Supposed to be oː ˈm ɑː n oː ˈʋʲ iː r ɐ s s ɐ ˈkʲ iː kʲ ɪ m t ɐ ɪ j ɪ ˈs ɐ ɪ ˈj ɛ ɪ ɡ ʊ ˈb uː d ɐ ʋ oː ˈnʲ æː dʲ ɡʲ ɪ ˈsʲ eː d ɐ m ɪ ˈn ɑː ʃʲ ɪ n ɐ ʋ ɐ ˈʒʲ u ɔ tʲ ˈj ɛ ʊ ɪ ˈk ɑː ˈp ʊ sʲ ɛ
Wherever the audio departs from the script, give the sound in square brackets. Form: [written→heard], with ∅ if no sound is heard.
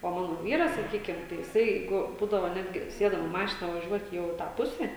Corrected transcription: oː ˈm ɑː n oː ˈʋʲ iː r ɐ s s ɐ ˈkʲ iː kʲ ɪ m t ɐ ɪ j ɪ ˈs ɐ ɪ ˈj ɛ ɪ ɡ ʊ ˈb uː d ɐ ʋ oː ˈnʲ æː dʲ ɡʲ ɪ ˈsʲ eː d ɐ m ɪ [ˈn→ˈm] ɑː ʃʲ ɪ n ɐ ʋ ɐ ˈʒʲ u ɔ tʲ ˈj ɛ ʊ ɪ [ˈk→ˈt] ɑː ˈp ʊ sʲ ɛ